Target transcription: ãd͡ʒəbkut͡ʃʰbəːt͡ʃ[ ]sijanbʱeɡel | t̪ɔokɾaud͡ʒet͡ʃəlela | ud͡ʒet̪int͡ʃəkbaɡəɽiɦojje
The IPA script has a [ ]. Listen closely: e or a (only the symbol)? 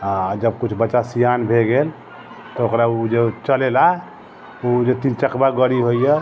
a